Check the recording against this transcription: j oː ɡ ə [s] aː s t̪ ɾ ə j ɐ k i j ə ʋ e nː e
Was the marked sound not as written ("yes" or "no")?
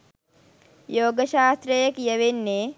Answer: yes